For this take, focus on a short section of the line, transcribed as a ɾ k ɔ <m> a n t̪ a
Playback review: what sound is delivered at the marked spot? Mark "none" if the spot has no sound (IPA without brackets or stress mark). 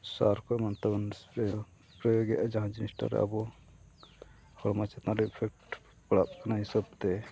m